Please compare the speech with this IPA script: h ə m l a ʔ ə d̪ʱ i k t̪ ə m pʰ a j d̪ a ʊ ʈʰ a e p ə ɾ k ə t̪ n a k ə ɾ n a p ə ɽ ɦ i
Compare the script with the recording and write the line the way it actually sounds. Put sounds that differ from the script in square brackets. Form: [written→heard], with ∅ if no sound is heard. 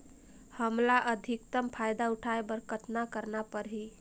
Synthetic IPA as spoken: h ə m l a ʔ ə d̪ʱ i k t̪ ə m pʰ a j d̪ a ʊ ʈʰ a e [p→b] ə ɾ k ə t̪ n a k ə ɾ n a p ə [ɽ→ɾ] ɦ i